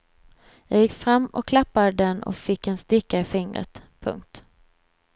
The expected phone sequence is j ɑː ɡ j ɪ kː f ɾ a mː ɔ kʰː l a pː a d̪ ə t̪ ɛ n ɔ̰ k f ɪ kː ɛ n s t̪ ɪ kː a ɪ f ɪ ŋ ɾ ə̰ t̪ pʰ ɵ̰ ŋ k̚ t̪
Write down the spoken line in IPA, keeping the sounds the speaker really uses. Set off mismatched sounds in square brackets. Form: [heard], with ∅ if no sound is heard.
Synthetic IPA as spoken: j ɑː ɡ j ɪ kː f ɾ a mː ɔ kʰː l a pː a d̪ ə [d̪] ɛ n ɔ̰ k f ɪ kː ɛ n s t̪ ɪ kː a ɪ f ɪ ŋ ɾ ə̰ t̪ pʰ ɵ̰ ŋ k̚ t̪